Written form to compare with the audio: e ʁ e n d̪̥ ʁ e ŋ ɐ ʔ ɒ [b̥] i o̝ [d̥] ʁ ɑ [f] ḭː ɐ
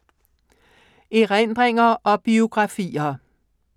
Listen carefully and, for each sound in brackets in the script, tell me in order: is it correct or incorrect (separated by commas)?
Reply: correct, incorrect, correct